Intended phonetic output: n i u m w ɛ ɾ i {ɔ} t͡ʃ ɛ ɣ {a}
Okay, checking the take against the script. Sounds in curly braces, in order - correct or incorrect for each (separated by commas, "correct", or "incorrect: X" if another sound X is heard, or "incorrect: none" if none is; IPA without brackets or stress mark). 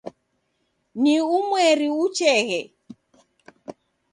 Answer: incorrect: u, incorrect: ɛ